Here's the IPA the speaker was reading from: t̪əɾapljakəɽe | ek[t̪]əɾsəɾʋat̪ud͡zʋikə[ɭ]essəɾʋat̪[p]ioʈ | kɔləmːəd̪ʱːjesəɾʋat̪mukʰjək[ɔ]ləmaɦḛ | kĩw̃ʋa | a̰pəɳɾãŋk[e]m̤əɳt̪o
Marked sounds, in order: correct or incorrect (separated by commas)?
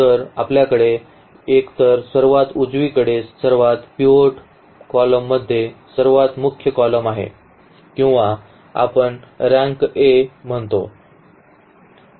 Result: correct, incorrect, correct, correct, correct